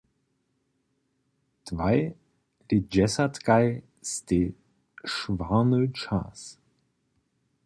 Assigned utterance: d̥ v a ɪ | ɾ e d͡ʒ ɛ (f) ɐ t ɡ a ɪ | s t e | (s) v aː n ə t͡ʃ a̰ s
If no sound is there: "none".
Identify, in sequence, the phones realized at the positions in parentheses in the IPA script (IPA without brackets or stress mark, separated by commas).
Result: s, ʃ